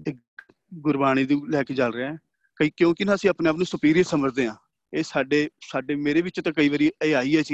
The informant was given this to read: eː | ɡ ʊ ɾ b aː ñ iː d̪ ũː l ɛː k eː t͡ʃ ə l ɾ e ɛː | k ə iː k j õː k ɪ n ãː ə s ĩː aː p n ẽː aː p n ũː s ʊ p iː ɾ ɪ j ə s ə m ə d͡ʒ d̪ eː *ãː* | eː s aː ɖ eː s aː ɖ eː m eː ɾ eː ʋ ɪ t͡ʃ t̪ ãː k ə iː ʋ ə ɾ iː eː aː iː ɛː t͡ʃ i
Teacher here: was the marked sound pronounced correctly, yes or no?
yes